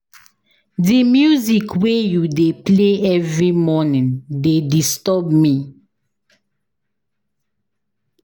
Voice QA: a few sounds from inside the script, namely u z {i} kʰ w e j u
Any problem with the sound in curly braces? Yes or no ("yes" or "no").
no